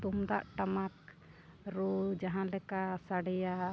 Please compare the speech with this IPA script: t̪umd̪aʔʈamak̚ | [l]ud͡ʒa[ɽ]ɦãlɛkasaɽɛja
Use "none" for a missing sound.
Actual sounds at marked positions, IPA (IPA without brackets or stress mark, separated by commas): ɾ, none